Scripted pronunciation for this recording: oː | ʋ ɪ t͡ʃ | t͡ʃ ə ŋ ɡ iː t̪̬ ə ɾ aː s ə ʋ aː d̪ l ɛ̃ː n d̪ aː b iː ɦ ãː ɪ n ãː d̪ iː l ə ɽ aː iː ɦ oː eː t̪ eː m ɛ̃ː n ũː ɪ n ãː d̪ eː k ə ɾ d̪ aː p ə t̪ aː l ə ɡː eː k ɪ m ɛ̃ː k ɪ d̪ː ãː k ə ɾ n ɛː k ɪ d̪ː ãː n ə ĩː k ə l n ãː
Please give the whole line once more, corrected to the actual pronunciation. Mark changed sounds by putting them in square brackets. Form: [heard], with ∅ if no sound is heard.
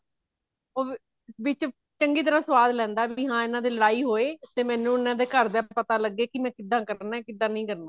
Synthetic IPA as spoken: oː | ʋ ɪ t͡ʃ | t͡ʃ ə ŋ ɡ iː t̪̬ ə ɾ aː s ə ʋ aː d̪ l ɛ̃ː n d̪ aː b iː ɦ ãː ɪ n ãː d̪ iː l ə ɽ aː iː ɦ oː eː t̪ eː m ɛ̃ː n ũː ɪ n ãː d̪ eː k ə ɾ d̪ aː p ə t̪ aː l ə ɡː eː k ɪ m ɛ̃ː k ɪ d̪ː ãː k ə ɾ n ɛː k ɪ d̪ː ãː n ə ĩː k ə [ɾ] n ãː